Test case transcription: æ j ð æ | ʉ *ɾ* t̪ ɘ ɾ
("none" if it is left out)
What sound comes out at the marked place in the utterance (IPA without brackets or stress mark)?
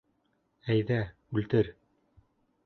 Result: l